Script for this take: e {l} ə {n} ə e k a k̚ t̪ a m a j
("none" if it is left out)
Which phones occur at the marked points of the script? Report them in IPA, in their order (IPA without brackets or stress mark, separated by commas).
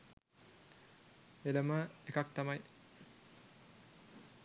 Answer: l, m